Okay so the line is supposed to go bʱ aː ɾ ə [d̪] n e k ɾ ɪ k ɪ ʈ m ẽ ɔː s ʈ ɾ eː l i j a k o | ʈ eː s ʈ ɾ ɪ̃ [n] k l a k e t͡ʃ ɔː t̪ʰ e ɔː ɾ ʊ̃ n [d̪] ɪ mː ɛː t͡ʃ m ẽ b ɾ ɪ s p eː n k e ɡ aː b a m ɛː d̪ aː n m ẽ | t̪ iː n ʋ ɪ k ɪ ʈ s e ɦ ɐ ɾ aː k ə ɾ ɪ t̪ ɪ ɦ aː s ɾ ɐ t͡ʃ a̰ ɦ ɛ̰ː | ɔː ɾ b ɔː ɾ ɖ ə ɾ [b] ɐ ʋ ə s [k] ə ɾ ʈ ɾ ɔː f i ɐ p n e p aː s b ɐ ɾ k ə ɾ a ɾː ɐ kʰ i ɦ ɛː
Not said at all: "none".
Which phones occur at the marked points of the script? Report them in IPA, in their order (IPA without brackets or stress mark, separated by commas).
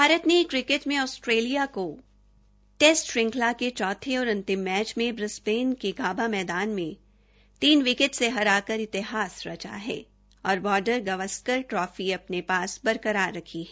t̪, ŋ, t̪, ɡ, k